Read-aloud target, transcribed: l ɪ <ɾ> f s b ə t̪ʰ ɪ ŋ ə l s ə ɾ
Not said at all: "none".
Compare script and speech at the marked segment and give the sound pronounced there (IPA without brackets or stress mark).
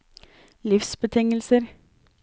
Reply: none